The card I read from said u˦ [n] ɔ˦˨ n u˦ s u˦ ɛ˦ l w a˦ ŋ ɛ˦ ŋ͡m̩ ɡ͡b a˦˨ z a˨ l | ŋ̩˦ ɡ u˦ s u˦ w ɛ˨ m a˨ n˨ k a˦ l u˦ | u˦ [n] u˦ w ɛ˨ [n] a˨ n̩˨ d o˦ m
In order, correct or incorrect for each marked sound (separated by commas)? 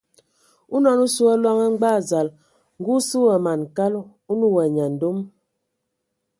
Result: correct, correct, incorrect